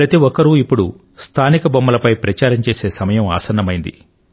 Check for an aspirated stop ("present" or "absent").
present